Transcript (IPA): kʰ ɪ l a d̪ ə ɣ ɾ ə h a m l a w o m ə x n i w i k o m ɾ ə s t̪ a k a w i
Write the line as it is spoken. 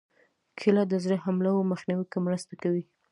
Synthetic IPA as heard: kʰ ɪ l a d̪ ə z ɾ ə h a m l a w o m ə x n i w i k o m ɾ ə s t̪ a k a w i